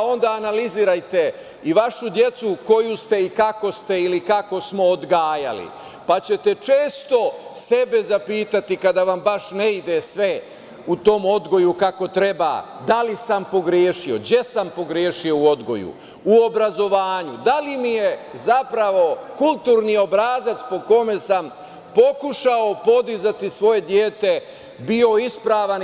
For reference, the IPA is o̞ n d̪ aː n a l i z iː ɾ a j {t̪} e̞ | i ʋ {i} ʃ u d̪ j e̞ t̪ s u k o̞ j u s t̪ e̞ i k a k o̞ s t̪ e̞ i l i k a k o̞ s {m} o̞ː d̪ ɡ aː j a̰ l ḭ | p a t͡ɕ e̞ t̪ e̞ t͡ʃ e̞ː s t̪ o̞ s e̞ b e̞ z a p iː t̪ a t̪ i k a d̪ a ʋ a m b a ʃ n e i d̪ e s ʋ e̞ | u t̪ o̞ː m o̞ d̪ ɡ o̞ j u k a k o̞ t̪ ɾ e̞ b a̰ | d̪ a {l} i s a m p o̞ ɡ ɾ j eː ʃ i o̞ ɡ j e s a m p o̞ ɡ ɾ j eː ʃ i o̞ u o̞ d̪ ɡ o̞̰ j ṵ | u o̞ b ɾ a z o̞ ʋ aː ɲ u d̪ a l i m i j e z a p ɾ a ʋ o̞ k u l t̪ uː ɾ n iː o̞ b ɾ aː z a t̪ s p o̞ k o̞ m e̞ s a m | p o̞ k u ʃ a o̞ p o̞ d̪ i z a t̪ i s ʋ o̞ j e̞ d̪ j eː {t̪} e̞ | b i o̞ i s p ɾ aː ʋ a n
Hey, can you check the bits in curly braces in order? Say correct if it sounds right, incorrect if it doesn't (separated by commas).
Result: correct, incorrect, correct, correct, correct